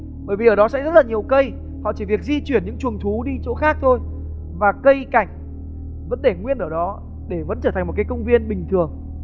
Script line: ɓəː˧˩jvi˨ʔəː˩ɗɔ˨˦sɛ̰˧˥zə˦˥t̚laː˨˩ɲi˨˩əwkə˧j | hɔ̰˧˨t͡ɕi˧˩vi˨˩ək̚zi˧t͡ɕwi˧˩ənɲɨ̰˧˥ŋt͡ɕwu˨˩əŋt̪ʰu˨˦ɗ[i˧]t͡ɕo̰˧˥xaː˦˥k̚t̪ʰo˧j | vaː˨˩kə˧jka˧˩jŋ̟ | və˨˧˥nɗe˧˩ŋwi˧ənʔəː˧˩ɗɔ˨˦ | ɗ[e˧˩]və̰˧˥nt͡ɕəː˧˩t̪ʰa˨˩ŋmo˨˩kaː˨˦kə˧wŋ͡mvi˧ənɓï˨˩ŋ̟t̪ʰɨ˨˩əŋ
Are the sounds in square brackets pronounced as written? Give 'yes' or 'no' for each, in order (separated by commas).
yes, yes